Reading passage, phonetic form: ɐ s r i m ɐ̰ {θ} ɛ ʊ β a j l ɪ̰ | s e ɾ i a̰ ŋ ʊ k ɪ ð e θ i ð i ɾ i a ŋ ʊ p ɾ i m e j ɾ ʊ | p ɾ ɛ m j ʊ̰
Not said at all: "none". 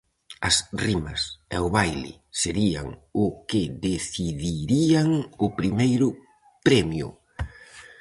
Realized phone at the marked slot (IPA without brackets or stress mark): s